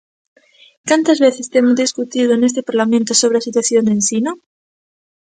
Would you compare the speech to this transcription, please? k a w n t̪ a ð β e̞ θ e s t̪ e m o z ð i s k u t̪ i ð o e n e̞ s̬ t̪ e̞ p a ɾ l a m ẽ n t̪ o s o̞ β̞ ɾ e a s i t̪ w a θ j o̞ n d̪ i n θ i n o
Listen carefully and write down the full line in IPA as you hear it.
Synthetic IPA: k a n t̪ a z β e̞ θ e s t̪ e m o z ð i s k u t̪ i ð o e n e̞ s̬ t̪ e̞ p a ɾ l a m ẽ n t̪ o s o̞ β̞ ɾ e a s i t̪ w a θ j o̞ n d̪ e n s i n o